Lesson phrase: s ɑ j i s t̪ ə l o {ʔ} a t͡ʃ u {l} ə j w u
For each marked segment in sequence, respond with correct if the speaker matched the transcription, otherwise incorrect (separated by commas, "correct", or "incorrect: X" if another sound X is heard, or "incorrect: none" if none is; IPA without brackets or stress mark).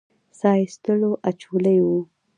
correct, correct